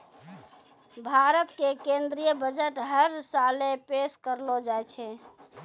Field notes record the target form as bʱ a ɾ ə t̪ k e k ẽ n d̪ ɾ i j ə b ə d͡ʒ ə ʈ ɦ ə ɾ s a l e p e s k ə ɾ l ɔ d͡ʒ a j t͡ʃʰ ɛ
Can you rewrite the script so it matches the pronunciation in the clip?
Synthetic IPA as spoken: bʱ a ɾ ə t̪ k e k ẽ n d̪ ɾ i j ə b ə d͡ʒ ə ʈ ɦ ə ɾ s a l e p e s k ə ɾ l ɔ d͡ʒ a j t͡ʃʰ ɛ